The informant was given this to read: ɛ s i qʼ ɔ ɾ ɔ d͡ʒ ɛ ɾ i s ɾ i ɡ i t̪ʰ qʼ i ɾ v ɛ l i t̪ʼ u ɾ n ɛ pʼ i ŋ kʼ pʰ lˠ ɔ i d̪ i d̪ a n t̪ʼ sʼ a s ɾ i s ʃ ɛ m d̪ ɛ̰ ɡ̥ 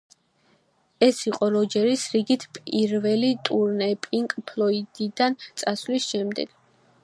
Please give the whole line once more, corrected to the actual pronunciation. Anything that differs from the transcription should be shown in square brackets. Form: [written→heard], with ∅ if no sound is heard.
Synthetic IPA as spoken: ɛ s i qʼ ɔ ɾ ɔ d͡ʒ ɛ ɾ i s ɾ i ɡ i t̪ʰ [qʼ→pʼ] i ɾ v ɛ l i t̪ʼ u ɾ n ɛ pʼ i ŋ kʼ pʰ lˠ ɔ i d̪ i d̪ a n [t̪ʼ→t̪] sʼ a s [ɾ→l] i s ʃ ɛ m d̪ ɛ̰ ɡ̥